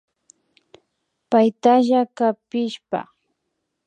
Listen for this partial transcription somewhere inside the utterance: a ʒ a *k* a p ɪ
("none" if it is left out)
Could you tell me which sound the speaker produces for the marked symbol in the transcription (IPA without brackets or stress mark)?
k